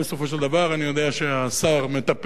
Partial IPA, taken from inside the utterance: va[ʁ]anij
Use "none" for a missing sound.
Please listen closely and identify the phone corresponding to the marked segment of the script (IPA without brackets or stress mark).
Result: ʁ